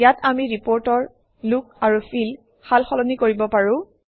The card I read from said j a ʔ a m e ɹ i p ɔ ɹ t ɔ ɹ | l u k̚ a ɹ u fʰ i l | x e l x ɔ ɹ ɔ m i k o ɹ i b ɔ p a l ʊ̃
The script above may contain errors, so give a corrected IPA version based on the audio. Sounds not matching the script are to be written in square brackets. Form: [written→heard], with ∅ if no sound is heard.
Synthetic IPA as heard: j a [ʔ→t] a m [e→i] ɹ i p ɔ ɹ t ɔ ɹ | l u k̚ a ɹ u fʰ i l | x [e→a] l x ɔ [ɹ→l] ɔ [m→n] i k o ɹ i b ɔ p a [l→ɹ] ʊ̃